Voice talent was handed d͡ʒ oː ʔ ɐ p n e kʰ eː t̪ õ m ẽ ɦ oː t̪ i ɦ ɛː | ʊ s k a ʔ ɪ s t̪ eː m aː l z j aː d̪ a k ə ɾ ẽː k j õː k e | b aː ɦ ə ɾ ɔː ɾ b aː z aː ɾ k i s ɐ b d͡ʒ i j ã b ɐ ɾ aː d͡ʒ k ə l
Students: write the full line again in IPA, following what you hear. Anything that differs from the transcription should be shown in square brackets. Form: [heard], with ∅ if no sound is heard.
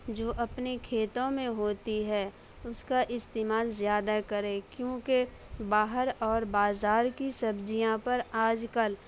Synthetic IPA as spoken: d͡ʒ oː ʔ ɐ p n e kʰ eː t̪ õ m ẽ ɦ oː t̪ i ɦ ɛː | ʊ s k a ʔ ɪ s t̪ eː m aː l z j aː d̪ a k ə ɾ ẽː k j õː k e | b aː ɦ ə ɾ ɔː ɾ b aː z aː ɾ k i s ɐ b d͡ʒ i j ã [p] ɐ ɾ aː d͡ʒ k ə l